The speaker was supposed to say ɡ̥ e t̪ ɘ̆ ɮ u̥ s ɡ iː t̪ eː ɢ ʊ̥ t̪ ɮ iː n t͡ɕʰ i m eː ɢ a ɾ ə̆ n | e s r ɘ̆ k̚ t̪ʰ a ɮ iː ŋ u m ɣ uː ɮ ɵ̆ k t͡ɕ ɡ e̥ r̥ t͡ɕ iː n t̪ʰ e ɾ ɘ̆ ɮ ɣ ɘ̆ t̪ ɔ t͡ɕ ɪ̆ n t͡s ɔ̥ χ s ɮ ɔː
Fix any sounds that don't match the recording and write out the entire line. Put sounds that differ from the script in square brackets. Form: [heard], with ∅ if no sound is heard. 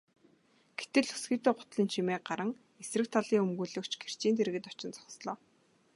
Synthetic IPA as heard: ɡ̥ e t̪ ɘ̆ ɮ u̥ s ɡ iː t̪ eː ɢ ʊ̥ t̪ ɮ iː n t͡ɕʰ i m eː ɢ a ɾ ə̆ [ŋ] | e s r ɘ̆ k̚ t̪ʰ a ɮ iː ŋ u m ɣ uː ɮ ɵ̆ k t͡ɕ ɡ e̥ r̥ t͡ɕ iː n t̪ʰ e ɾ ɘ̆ [∅] ɣ ɘ̆ t̪ ɔ t͡ɕ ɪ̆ n t͡s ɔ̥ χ s ɮ ɔː

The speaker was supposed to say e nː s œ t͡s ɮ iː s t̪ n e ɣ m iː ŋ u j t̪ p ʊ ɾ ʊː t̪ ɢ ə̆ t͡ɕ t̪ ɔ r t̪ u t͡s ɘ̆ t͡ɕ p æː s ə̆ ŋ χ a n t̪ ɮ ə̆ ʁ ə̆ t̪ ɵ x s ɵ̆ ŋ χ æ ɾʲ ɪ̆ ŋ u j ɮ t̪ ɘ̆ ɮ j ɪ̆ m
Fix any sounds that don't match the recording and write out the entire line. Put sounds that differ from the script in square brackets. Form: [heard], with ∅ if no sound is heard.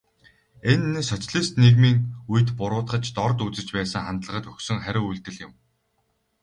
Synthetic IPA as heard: e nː s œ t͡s ɮ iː s t̪ n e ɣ m iː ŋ u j t̪ p ʊ ɾ ʊː t̪ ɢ ə̆ t͡ɕ t̪ ɔ r t̪ u t͡s ɘ̆ t͡ɕ p æː s ə̆ ŋ χ a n t̪ ɮ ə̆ ʁ ə̆ t̪ ɵ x s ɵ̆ ŋ χ æ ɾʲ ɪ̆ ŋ u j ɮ t̪ ɘ̆ ɮ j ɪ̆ m

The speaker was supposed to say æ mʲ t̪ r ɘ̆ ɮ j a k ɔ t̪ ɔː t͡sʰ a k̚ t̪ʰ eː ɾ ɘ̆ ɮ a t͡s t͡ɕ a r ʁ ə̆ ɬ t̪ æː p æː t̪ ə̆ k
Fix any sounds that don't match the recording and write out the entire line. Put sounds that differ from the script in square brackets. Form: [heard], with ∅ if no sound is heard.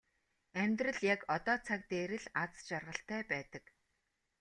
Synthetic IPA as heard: æ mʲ t̪ r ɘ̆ ɮ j a k ɔ t̪ ɔː t͡sʰ a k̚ [t̪] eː ɾ ɘ̆ ɮ a t͡s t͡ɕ a r ʁ ə̆ ɬ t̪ æː p æː t̪ ə̆ k

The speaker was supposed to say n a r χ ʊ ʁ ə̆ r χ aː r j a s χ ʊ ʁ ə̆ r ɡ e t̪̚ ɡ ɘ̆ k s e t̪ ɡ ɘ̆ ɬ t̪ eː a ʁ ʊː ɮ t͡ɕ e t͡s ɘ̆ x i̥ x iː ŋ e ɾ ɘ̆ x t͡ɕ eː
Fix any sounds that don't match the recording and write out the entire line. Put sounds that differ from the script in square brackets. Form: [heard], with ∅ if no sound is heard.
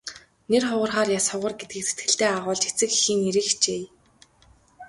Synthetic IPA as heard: n [e] r χ ʊ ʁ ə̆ r χ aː r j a s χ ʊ ʁ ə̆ r ɡ e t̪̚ ɡ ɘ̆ k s e t̪ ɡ ɘ̆ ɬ t̪ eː a ʁ ʊː ɮ t͡ɕ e t͡s ɘ̆ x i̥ x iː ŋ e ɾ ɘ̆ x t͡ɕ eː

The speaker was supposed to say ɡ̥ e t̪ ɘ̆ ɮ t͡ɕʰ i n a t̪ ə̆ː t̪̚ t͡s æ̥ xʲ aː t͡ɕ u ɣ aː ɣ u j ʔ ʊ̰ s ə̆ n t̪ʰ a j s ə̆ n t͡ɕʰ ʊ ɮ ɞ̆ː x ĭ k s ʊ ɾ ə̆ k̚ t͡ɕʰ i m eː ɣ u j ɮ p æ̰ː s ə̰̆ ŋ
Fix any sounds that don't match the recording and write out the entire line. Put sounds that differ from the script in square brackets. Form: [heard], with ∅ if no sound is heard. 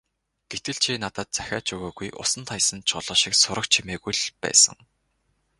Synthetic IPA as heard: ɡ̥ e t̪ ɘ̆ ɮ t͡ɕʰ i n a t̪ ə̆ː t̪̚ t͡s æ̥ xʲ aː t͡ɕ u ɣ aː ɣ u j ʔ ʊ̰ s ə̆ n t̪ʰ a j s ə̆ n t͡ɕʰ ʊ ɮ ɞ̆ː [ʃ] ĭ k s ʊ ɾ ə̆ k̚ t͡ɕʰ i m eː ɣ u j ɮ p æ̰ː s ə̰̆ ŋ

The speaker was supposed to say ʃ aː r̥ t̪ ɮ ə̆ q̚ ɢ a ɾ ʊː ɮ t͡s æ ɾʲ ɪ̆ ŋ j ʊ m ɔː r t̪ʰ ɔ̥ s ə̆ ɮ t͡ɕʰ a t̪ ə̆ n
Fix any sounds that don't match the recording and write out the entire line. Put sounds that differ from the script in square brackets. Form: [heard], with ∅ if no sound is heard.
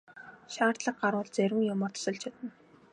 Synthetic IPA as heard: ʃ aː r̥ t̪ ɮ ə̆ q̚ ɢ a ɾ ʊː ɮ t͡s æ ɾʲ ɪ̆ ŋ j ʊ m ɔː r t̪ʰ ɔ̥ s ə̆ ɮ t͡ɕʰ a t̪ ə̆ n

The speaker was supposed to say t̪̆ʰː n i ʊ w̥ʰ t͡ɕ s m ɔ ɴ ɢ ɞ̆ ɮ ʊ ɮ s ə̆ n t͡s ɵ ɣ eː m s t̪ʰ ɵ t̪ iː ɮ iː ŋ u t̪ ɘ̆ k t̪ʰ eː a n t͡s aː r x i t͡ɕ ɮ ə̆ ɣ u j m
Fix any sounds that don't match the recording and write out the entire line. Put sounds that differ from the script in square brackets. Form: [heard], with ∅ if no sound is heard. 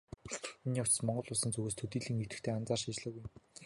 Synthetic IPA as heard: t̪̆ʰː n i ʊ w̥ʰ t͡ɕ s m ɔ ɴ ɢ ɞ̆ ɮ ʊ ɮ s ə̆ n t͡s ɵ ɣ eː [∅] s t̪ʰ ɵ t̪ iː ɮ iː ŋ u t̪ ɘ̆ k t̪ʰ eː a n t͡s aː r [ʃ] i t͡ɕ ɮ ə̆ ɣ u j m

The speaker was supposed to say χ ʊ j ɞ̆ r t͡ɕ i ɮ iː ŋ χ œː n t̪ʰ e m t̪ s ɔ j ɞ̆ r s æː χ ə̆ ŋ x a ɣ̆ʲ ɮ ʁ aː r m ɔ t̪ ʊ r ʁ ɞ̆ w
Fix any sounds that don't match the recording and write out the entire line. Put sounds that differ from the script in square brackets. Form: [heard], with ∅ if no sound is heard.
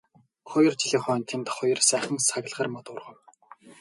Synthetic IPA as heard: χ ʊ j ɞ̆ r t͡ɕ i ɮ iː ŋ χ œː n t̪ʰ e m t̪ [χ] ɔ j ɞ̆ r s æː χ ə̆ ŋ [s] a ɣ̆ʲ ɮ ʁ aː r m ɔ t̪ ʊ r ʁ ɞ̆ w

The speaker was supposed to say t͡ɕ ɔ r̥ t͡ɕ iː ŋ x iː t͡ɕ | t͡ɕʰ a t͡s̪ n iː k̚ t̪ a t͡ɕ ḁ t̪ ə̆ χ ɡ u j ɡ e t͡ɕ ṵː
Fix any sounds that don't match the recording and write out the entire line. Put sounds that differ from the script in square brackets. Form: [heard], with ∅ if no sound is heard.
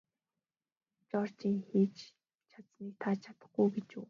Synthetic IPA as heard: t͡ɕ ɔ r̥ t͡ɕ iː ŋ x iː t͡ɕ | t͡ɕʰ a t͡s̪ n iː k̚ [t̪ʰ] a [t͡ɕʰ] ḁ t̪ ə̆ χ ɡ u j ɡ e t͡ɕ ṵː

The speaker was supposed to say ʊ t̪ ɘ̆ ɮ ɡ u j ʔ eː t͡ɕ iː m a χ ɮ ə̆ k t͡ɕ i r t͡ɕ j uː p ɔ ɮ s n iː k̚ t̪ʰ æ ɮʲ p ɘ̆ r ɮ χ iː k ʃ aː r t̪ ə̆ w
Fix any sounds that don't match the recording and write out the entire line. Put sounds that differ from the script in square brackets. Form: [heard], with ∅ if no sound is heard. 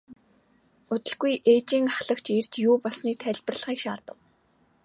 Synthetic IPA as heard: ʊ t̪ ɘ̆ ɮ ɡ u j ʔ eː t͡ɕ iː [ŋ] a χ ɮ ə̆ k t͡ɕ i r t͡ɕ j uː p ɔ ɮ s n iː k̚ t̪ʰ æ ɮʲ p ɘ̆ r ɮ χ iː k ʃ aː r t̪ ə̆ w

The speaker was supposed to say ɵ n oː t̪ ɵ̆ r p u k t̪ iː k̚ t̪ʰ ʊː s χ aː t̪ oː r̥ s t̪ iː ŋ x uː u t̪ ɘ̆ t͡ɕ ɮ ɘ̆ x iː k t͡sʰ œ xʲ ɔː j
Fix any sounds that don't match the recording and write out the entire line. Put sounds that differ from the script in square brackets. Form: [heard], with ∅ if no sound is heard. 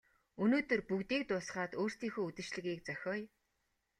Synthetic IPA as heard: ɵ n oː t̪ ɵ̆ r p u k t̪ iː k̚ [t̪] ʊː s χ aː t̪ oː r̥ s t̪ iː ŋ x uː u t̪ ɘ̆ t͡ɕ ɮ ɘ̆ [ɣ] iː k [t͡s] œ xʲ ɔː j

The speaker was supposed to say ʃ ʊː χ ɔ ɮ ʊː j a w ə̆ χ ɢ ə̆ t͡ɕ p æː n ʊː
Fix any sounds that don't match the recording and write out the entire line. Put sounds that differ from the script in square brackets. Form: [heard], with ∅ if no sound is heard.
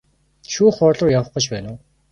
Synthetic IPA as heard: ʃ [uː] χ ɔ ɮ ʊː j a w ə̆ χ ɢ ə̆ t͡ɕ p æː n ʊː

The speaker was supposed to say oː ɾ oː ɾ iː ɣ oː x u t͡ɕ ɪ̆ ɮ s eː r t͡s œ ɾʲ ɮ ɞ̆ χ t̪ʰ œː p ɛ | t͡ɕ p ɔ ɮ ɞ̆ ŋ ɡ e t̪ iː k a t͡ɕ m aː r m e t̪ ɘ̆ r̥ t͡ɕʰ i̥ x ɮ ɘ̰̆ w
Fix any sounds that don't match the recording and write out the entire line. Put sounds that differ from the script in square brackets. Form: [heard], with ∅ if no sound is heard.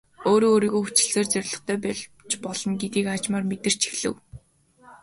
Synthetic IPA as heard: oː ɾ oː ɾ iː ɣ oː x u t͡ɕ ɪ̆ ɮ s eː r t͡s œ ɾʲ ɮ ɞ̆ χ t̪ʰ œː p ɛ | t͡ɕ p ɔ ɮ ɞ̆ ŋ ɡ e t̪ iː k a t͡ɕ m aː r m e t̪ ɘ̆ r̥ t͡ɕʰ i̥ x ɮ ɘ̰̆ w

